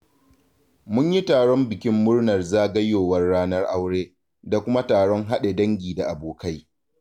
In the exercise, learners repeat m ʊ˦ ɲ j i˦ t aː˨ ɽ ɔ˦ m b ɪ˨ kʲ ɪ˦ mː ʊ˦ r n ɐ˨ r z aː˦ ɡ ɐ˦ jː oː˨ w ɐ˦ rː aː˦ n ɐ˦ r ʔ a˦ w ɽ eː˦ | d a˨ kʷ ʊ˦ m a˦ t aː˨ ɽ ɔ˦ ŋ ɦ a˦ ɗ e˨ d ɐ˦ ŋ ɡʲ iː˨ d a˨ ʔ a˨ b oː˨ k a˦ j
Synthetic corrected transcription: m ʊ˦ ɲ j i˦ t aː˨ ɽ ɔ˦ m b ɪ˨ kʲ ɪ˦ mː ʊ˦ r n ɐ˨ r z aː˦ ɡ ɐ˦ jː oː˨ w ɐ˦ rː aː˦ n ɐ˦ r ʔ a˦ w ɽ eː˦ | d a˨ kʷ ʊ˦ m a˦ t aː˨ ɽ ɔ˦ ŋ ɦ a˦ ɗ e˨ d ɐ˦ ŋ ɡʲ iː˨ d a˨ ʔ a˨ b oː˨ k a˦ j